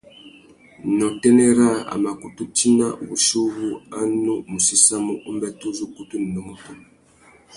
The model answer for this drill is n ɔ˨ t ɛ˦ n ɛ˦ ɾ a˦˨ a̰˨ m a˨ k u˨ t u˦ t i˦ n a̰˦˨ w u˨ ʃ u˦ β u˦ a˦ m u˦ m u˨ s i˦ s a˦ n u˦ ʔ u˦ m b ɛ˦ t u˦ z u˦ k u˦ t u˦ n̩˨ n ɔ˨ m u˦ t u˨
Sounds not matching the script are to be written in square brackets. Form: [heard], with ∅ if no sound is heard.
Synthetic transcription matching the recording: n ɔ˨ t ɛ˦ n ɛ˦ ɾ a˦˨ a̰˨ m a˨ k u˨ t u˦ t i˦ n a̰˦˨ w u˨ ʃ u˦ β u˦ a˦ [n] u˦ m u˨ s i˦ s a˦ [m] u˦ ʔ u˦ m b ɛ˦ t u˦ z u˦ k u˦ t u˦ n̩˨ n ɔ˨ m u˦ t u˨

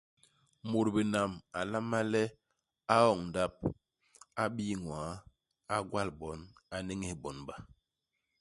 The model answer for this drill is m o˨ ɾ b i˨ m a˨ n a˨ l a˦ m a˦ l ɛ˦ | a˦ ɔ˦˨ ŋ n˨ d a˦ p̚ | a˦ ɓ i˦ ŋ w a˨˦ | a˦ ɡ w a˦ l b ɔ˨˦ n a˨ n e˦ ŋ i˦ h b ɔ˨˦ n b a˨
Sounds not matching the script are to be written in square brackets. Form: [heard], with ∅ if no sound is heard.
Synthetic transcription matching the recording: m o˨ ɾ b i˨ [n] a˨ [m] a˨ l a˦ m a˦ l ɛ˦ | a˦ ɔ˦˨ ŋ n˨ d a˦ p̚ | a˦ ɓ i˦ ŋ w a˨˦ | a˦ ɡ w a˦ l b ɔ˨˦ n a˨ n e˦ ŋ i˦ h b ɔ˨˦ n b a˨

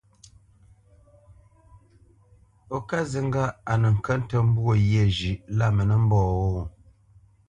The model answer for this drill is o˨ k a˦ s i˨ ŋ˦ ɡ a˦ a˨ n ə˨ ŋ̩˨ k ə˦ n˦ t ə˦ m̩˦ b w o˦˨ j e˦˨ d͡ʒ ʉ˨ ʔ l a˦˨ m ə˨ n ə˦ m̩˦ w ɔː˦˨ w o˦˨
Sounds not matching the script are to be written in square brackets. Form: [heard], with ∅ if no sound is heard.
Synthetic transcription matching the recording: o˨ k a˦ [z] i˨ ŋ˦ ɡ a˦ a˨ n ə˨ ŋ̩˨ k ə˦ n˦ t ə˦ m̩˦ b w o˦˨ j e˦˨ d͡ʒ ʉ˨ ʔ l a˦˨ m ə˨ n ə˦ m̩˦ [b] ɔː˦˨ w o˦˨

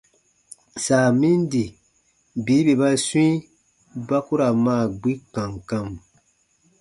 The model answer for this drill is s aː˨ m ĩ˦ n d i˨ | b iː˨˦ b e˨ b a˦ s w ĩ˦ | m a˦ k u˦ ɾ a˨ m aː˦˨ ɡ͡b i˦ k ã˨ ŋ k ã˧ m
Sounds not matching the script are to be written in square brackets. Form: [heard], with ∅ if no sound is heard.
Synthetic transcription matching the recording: s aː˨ m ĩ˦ n d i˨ | b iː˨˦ b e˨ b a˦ s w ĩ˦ | [b] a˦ k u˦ ɾ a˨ m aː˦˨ ɡ͡b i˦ k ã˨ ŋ k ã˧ m

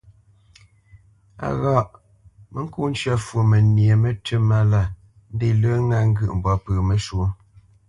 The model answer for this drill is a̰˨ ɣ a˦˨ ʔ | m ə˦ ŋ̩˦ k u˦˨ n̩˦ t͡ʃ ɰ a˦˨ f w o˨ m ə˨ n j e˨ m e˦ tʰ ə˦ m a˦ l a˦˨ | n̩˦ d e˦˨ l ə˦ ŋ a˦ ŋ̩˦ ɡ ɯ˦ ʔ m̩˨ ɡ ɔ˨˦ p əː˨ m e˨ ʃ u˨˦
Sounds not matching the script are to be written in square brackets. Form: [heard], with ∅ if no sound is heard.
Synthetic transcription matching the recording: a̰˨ ɣ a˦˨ ʔ | m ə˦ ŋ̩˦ k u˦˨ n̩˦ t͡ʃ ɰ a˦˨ f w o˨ m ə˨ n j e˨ m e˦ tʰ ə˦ m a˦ l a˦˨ | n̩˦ d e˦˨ l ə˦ ŋ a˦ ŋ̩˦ ɡ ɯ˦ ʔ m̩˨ [b] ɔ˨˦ p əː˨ m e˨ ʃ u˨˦

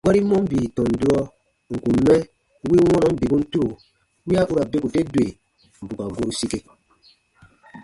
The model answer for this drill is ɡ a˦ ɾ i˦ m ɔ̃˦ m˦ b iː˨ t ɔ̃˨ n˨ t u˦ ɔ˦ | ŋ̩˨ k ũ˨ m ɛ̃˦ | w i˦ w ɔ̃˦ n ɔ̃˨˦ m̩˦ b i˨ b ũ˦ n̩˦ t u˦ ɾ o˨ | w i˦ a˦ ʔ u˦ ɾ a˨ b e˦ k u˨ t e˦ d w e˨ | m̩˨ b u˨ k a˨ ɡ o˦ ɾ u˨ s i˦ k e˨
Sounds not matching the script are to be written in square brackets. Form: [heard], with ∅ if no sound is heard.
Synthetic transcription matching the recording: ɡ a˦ ɾ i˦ m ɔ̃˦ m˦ b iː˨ t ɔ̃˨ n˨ [d] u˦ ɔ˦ | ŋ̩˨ k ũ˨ m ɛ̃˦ | w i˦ w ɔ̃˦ n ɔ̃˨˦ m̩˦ b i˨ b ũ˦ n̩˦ t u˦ ɾ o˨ | w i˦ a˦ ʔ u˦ ɾ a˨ b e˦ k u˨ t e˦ d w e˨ | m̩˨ b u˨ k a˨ ɡ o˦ ɾ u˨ s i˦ k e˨

